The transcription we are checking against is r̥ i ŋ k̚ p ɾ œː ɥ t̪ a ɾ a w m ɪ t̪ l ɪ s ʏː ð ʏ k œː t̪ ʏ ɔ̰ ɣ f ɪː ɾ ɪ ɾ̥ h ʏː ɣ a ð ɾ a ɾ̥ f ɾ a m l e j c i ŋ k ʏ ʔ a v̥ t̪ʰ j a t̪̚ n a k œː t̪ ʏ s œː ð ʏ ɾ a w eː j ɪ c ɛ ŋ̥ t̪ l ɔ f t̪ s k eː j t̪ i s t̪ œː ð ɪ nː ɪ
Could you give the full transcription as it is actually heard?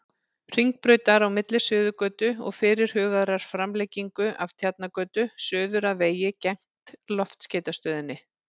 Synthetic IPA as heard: r̥ i ŋ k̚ p ɾ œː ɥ t̪ a ɾ a w m ɪ t̪ l ɪ s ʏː ð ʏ k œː t̪ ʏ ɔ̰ ɣ f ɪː ɾ ɪ ɾ̥ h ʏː ɣ a ð ɾ a ɾ̥ f ɾ a m l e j c i ŋ k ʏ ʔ a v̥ t̪ʰ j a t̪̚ n a k œː t̪ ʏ s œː ð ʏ ɾ a v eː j ɪ c ɛ ŋ̥ t̪ l ɔ f t̪ s c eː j t̪ a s t̪ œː ð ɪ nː ɪ